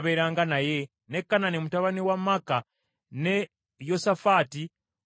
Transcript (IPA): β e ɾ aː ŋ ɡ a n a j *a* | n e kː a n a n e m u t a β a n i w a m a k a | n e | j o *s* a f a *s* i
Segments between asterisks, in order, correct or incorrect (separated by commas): incorrect, correct, incorrect